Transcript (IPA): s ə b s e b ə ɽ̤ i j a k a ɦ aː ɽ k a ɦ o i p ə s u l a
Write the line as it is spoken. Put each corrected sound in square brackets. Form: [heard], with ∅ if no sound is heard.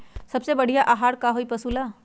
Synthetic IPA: s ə b s e b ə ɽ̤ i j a [ʔ] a ɦ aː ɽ k a ɦ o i p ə s u l a